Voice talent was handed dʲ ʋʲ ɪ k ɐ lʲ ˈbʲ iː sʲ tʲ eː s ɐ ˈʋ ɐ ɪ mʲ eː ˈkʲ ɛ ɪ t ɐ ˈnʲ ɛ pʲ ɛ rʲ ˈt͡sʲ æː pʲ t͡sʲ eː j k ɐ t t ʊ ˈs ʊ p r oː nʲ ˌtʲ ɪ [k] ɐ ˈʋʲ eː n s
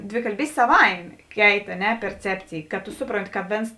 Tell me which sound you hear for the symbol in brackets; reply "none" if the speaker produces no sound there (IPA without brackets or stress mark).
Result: k